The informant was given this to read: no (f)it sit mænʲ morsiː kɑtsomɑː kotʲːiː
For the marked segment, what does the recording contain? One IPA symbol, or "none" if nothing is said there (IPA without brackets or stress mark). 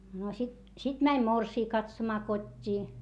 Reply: s